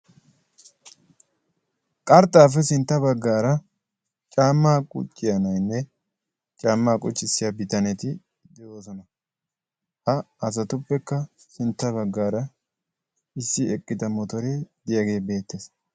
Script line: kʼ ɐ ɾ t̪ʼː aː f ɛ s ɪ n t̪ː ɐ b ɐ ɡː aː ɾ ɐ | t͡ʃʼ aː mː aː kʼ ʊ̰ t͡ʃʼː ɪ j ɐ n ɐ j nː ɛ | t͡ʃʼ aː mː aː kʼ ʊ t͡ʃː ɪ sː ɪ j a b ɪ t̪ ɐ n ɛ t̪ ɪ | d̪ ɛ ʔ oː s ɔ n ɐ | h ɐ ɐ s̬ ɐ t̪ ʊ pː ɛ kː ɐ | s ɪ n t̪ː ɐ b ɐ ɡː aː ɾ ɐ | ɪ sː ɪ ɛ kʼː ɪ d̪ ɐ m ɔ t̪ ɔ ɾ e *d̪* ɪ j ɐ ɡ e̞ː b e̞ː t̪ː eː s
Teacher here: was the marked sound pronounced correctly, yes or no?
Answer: yes